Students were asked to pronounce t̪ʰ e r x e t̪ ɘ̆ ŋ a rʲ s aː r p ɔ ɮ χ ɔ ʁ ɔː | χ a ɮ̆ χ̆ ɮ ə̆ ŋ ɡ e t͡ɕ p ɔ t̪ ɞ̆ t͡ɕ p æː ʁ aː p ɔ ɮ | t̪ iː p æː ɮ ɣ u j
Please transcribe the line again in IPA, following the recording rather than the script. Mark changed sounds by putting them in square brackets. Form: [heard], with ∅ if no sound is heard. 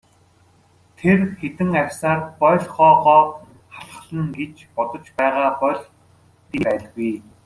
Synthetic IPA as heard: t̪ʰ e r x e t̪ ɘ̆ ŋ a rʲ s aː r p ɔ ɮ χ [ɔː] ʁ ɔː | χ a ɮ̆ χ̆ ɮ ə̆ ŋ ɡ e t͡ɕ p ɔ t̪ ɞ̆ t͡ɕ p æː ʁ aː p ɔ ɮ | t̪ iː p æː ɮ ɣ u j